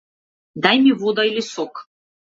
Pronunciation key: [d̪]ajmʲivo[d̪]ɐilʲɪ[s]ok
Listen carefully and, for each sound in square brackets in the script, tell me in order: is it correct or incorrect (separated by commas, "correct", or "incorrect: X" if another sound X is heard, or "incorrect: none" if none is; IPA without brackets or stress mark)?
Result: correct, correct, correct